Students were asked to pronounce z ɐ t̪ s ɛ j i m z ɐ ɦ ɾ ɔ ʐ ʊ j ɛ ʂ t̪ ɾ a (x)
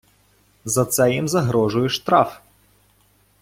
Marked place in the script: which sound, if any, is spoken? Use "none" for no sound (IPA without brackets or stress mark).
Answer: f